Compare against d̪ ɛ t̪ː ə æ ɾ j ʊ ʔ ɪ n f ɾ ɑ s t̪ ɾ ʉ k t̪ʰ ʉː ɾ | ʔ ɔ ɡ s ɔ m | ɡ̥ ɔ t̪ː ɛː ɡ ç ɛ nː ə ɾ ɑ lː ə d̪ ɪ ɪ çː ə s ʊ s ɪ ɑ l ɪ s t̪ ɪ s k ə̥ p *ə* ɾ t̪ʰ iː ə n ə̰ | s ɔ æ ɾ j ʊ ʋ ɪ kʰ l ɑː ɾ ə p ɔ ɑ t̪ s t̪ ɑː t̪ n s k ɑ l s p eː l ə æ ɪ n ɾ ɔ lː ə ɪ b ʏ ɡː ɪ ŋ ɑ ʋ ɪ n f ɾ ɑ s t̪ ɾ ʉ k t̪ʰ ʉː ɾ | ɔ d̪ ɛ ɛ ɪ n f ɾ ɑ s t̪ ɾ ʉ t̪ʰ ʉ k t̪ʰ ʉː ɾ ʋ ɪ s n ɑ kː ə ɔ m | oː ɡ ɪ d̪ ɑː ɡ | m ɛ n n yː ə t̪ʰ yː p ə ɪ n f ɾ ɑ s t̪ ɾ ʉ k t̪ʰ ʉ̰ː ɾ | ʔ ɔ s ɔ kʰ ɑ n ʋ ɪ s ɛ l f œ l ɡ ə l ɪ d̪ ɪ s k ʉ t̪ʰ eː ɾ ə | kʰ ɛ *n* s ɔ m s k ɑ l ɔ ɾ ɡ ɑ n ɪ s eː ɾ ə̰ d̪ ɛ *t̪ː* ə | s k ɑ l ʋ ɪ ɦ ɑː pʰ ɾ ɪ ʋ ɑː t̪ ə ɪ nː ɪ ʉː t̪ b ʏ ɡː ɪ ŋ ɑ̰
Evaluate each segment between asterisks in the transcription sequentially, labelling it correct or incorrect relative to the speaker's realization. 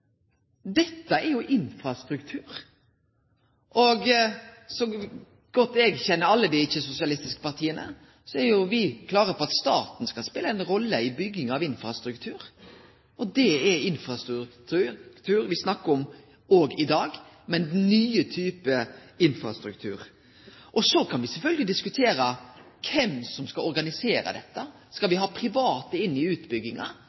incorrect: ɑ, incorrect: m, correct

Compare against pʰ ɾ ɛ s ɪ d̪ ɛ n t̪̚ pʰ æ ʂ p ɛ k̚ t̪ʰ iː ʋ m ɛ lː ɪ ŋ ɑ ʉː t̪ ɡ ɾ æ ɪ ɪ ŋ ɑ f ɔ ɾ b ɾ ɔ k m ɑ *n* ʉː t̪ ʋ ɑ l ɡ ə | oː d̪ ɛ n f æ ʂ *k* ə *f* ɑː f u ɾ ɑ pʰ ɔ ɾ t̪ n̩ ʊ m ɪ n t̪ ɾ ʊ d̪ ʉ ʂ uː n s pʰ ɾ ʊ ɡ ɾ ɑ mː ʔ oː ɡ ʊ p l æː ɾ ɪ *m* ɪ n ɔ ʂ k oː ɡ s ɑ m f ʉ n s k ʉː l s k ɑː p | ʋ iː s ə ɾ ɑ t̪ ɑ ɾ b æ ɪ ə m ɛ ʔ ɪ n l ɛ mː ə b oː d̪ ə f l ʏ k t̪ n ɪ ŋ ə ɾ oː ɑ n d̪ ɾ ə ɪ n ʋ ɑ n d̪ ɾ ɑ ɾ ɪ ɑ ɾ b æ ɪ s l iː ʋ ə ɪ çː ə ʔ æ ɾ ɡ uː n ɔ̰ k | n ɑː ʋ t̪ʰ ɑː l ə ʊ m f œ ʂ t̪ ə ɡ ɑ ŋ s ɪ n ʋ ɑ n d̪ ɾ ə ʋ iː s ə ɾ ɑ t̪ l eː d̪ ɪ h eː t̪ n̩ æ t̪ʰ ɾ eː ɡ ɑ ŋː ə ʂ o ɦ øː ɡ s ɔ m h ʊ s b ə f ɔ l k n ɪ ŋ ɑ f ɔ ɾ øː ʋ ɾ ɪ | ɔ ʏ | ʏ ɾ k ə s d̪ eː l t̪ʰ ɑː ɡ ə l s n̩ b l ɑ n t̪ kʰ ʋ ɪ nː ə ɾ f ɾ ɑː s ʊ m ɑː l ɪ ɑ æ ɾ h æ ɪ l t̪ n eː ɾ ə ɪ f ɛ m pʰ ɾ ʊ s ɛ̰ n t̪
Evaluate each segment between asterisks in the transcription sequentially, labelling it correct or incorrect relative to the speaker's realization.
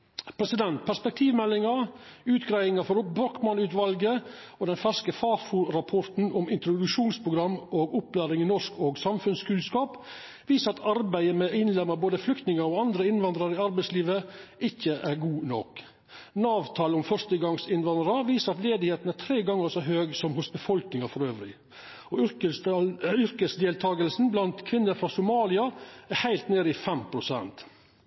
correct, correct, correct, incorrect: ŋ

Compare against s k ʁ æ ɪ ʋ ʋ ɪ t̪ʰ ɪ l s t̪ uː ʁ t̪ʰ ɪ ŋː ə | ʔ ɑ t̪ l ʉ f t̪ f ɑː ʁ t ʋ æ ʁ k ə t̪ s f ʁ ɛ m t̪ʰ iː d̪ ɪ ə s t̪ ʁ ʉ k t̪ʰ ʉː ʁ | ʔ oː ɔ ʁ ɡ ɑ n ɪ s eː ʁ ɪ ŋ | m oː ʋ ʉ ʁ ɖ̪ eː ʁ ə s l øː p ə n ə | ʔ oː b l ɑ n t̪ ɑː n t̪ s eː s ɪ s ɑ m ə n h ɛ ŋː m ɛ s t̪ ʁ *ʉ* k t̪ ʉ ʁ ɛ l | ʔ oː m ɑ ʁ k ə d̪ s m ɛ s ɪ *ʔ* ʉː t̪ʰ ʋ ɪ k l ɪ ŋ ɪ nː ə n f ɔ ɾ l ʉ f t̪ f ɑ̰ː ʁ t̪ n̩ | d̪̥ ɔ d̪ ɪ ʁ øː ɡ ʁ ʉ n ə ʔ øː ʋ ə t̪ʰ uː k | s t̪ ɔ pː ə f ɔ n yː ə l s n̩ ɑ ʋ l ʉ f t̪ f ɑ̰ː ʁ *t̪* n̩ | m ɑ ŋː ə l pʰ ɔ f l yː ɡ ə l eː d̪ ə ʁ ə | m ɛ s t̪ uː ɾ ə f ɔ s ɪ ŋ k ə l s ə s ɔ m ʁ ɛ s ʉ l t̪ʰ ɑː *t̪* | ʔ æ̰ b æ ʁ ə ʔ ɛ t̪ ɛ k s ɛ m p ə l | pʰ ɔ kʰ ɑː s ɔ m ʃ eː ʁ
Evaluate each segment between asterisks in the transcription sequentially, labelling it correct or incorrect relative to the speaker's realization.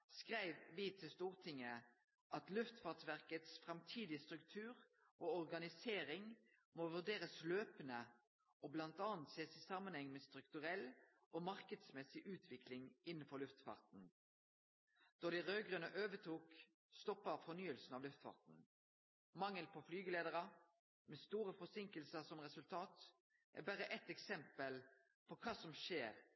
correct, correct, correct, correct

